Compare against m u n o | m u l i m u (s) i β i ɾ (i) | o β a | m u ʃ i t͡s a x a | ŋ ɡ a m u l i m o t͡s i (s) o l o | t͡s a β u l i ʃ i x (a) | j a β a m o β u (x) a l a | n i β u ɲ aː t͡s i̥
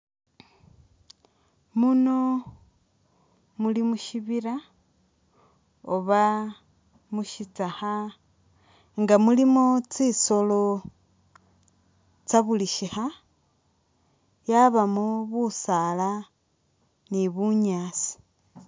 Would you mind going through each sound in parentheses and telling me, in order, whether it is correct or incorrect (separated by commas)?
incorrect, incorrect, correct, correct, incorrect